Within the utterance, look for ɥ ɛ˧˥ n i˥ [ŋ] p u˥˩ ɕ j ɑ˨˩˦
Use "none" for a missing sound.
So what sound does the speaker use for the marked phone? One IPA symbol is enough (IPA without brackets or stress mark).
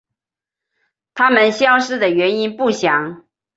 n